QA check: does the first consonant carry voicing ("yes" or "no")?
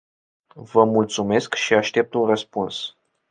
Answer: yes